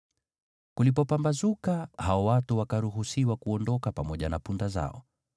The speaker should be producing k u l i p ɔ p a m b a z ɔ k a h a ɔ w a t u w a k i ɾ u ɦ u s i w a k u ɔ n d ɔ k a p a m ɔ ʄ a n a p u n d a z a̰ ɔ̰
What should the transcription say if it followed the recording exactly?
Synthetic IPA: k u l i p ɔ p a m b a z u k a h a ɔ w a t u w a k a ɾ u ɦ u s i w a k u ɔ n d ɔ k a p a m ɔ ʄ a n a p u n d a z a̰ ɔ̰

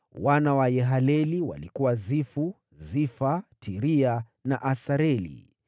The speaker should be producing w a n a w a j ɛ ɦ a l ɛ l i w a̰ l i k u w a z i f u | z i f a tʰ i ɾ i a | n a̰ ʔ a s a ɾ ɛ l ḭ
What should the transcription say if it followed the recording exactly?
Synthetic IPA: w a n a w a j ɛ ɦ a l ɛ l i w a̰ l i k u w a z i f u | z i f a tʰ i ɾ i a | n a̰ ʔ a s a ɾ ɛ l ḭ

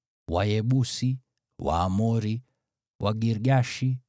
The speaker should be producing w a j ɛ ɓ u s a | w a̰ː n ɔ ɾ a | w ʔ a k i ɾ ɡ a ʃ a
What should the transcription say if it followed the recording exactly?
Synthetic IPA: w a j ɛ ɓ u s i | w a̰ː m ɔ ɾ i | w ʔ a ɡ i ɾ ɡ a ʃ i

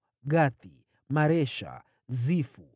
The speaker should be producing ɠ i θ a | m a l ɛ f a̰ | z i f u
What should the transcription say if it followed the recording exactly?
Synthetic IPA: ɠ a θ i | m a ɾ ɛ ʃ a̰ | z i f u

